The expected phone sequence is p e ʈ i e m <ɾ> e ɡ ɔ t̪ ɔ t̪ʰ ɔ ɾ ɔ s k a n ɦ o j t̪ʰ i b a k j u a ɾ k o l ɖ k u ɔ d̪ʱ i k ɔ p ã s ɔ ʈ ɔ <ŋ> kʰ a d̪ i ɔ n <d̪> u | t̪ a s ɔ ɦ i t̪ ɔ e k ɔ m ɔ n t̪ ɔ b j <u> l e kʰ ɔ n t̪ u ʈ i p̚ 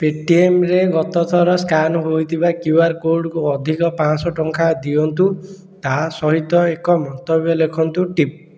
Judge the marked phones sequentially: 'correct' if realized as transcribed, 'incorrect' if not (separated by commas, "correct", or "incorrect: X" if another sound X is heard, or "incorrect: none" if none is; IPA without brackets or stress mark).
correct, correct, incorrect: t̪, incorrect: ɔ